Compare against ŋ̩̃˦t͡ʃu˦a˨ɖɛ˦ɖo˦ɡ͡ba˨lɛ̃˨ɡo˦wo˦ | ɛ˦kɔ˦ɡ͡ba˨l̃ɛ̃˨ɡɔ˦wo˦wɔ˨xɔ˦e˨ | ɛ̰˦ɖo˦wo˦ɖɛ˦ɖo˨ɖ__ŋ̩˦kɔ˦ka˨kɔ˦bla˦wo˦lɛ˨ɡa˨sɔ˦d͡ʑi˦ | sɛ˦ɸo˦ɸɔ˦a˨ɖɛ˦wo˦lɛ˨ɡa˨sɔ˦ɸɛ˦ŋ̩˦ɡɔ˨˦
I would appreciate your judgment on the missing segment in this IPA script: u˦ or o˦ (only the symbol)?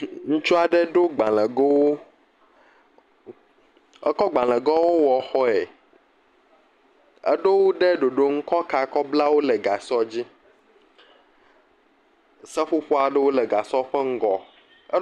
o˦